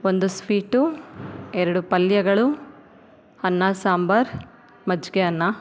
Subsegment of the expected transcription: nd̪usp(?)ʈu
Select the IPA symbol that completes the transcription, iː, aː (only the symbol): iː